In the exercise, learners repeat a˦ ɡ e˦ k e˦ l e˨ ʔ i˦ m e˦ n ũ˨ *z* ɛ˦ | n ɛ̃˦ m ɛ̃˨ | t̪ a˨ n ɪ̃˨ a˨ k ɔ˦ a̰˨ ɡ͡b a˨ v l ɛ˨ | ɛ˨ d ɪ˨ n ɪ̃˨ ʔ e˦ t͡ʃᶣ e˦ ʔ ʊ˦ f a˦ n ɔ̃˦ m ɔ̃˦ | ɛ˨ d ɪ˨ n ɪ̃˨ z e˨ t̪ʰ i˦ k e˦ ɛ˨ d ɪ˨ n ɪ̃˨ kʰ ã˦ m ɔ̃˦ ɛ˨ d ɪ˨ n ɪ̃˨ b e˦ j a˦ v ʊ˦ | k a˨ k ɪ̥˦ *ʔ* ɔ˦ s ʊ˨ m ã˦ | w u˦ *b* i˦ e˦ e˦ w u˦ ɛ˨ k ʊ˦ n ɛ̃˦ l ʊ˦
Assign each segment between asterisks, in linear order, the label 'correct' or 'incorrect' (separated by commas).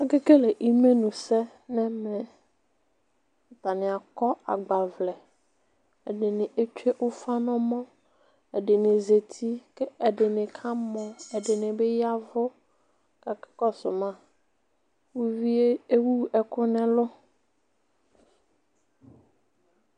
incorrect, incorrect, incorrect